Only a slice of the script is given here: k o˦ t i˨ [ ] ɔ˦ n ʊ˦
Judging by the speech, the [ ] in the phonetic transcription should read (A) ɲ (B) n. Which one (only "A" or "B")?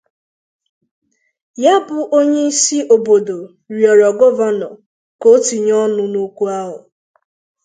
A